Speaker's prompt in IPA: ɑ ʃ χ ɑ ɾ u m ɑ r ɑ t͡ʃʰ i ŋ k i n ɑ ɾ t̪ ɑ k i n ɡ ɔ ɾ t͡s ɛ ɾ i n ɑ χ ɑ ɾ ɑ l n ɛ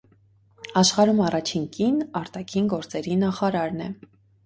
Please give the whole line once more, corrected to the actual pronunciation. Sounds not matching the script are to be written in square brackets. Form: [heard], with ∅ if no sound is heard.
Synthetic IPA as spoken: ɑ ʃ χ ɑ ɾ u m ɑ r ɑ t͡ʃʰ i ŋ k i n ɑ ɾ t̪ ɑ [kʰ] i n ɡ ɔ ɾ t͡s ɛ ɾ i n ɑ χ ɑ ɾ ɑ [ɾ] n ɛ